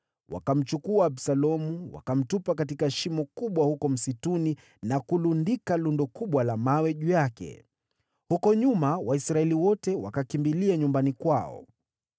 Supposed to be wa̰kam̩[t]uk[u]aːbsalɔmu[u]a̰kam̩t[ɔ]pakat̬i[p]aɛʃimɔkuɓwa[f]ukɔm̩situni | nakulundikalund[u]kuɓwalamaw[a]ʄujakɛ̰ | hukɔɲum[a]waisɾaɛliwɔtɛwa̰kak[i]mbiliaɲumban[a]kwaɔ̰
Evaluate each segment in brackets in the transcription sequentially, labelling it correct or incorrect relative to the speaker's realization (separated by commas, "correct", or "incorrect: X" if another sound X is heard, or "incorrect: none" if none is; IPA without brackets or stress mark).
incorrect: t͡ʃ, correct, incorrect: w, incorrect: u, incorrect: k, incorrect: h, incorrect: ɔ, incorrect: ɛ, correct, correct, incorrect: i